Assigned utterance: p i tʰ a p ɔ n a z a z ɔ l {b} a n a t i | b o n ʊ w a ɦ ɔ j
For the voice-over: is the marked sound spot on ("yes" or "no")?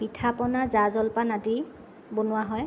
no